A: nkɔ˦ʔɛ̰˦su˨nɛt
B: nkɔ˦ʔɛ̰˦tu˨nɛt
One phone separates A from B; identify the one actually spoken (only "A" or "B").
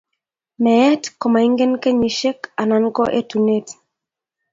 B